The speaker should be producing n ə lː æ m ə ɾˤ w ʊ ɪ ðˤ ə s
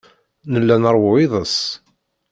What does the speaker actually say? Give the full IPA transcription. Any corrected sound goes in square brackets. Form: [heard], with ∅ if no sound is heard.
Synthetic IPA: n ə lː æ [n] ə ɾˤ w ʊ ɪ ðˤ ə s